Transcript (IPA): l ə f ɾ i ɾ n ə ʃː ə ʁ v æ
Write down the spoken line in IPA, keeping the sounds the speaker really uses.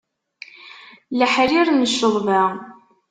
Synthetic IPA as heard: l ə ħ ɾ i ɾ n ə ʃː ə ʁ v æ